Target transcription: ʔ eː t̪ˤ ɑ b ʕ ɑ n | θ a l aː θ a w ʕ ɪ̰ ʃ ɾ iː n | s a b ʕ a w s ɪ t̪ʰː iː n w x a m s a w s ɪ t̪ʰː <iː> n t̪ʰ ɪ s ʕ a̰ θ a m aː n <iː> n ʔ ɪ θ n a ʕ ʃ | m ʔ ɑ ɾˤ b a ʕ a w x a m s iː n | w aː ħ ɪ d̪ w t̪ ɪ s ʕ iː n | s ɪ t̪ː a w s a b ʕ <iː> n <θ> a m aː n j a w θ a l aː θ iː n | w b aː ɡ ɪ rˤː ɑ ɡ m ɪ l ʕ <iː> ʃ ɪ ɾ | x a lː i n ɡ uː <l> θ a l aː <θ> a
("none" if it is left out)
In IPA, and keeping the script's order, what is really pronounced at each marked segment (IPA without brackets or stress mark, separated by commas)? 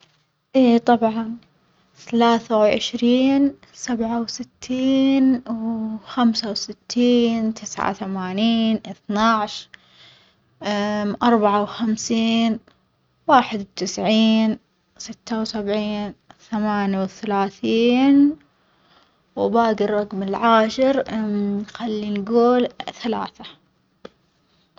iː, iː, iː, θ, aː, l, θ